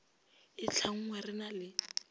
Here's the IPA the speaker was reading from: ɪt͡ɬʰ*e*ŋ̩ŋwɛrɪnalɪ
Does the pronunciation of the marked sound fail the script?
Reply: yes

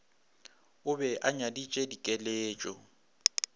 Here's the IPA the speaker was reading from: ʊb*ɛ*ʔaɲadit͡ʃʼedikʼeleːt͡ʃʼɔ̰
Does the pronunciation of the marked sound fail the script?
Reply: no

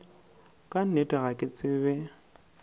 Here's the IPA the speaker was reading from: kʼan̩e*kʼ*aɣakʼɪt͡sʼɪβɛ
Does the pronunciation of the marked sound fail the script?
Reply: yes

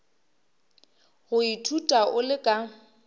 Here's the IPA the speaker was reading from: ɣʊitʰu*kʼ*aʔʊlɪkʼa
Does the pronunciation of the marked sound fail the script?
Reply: yes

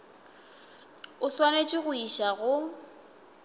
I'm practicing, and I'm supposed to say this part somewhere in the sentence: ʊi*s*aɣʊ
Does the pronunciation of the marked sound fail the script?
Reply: yes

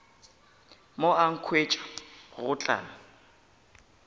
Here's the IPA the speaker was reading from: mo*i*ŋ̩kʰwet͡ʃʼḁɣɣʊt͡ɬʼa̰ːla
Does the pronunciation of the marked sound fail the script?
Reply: yes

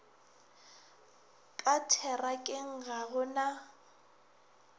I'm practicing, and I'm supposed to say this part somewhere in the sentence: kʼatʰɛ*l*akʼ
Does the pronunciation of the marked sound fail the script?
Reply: yes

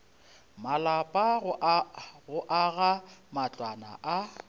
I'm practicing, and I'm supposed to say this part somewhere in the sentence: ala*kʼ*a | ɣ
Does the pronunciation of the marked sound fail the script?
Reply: yes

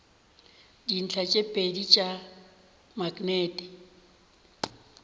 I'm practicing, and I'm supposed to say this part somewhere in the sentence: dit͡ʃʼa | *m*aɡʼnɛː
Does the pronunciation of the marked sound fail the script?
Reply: no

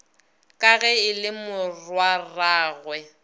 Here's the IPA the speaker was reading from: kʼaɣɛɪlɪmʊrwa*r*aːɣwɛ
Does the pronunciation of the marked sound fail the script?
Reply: no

